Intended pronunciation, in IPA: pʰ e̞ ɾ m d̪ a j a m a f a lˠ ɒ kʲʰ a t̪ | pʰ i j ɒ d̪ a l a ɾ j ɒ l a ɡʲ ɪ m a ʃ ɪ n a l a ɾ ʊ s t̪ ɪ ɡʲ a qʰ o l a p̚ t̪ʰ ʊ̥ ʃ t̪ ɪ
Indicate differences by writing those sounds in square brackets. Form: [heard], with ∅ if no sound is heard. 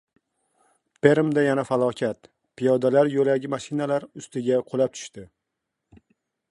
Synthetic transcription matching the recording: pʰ e̞ ɾ m d̪ a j a [n] a f a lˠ ɒ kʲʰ a t̪ | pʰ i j ɒ d̪ a l a ɾ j [o] l a ɡʲ ɪ m a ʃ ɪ n a l a ɾ ʊ s t̪ ɪ ɡʲ a qʰ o l a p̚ t̪ʰ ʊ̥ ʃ t̪ ɪ